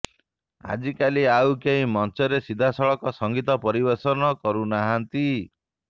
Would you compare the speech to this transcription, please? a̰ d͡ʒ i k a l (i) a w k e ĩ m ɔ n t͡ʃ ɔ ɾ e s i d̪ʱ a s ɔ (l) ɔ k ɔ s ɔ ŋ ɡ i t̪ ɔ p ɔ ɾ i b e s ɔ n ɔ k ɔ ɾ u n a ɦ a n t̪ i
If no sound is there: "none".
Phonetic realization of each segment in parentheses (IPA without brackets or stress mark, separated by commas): i, ɭ